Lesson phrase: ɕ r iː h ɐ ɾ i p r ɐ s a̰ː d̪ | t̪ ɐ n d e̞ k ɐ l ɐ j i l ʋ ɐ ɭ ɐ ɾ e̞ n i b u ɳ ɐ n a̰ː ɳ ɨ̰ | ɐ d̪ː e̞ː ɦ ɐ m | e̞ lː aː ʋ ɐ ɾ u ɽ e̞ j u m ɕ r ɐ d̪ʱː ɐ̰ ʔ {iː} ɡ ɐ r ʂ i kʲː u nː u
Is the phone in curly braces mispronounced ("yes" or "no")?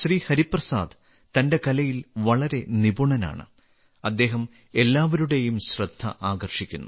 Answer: yes